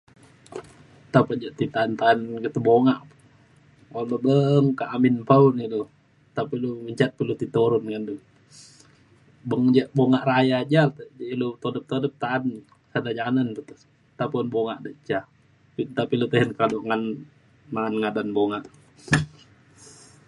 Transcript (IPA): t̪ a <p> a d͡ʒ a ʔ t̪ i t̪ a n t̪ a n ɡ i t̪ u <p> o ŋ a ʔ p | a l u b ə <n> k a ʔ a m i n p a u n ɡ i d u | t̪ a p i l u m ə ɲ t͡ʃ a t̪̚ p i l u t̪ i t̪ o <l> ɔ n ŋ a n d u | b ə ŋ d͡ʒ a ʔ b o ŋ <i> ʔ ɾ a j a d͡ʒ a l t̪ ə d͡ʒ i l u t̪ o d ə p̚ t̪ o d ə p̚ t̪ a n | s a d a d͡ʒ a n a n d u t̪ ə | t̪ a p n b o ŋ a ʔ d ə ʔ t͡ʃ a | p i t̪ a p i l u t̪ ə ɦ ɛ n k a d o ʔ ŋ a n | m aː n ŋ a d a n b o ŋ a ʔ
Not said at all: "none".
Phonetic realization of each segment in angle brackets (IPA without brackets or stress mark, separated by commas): p, b, ŋ, ɾ, a